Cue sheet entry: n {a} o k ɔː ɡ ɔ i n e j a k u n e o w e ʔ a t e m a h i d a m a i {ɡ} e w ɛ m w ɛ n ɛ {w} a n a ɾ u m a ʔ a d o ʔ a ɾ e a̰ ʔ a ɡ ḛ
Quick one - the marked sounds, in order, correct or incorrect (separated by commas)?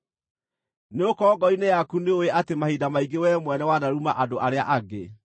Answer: incorrect, correct, correct